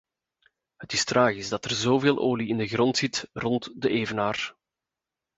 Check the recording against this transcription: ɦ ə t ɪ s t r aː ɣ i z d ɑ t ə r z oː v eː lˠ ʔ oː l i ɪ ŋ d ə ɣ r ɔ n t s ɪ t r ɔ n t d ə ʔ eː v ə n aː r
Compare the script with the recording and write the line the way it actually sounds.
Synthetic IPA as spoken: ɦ ə t ɪ s t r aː ɣ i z d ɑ t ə r z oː v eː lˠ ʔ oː l i ɪ n d ə ɣ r ɔ n t s ɪ t r ɔ n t d ə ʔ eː v ə n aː r